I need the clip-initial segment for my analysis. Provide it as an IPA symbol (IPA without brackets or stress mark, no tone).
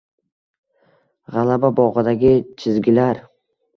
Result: ʁ